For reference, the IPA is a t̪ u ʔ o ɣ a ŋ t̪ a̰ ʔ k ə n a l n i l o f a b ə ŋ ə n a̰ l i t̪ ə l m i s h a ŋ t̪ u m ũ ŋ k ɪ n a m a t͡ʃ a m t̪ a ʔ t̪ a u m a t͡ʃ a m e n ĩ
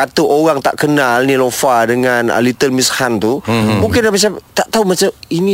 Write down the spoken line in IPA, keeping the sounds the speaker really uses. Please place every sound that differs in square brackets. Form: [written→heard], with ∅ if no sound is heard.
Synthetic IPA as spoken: a t̪ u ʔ o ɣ a ŋ t̪ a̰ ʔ k ə n a l n i l o f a [b→d] ə ŋ [ə→a] n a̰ l i t̪ ə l m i s h a [ŋ→n] t̪ u m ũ ŋ k ɪ n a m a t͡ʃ a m t̪ a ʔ t̪ a u m a t͡ʃ a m [e→i] n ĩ